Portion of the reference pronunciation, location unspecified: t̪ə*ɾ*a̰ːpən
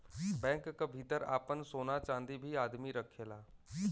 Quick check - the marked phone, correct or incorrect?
correct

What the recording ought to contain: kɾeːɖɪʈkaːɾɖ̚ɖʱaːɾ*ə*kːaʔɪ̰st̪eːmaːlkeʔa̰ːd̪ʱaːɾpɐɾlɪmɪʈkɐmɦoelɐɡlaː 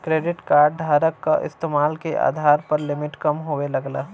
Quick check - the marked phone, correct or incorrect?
correct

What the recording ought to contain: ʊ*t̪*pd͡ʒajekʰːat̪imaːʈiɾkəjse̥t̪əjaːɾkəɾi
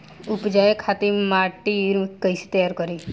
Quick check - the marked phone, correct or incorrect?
incorrect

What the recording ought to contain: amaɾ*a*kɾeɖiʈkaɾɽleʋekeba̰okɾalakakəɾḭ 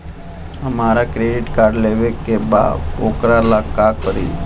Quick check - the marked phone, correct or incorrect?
correct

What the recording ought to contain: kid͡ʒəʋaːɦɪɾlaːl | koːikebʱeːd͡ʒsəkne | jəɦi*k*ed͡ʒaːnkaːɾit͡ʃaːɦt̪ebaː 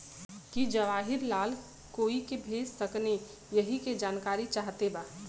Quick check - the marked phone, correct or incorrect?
correct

